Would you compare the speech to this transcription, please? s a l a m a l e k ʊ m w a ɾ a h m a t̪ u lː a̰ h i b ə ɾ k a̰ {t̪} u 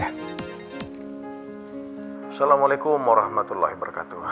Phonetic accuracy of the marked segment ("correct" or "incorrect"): correct